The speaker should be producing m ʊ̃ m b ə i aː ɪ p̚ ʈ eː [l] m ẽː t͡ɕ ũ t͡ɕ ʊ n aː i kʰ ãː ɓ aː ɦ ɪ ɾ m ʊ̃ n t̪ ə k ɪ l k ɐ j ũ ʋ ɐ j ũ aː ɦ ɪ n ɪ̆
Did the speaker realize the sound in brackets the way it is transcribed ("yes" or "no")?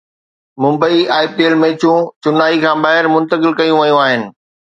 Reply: yes